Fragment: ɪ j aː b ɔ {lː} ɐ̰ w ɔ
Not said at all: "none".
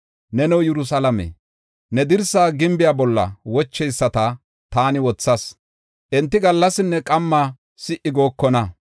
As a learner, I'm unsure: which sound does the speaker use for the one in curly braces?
lː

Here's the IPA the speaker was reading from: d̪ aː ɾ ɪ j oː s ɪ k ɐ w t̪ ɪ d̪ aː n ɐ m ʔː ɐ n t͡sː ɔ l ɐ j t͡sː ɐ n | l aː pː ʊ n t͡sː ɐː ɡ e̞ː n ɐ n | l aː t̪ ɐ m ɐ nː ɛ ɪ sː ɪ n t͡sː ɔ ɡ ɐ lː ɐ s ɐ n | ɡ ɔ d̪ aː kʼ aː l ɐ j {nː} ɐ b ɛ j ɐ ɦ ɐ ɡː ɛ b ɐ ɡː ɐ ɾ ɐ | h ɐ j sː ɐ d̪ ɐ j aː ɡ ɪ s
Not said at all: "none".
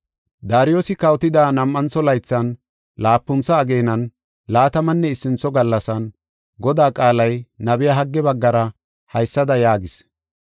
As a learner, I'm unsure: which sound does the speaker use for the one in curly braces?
n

